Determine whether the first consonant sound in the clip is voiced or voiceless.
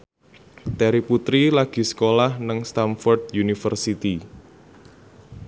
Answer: voiceless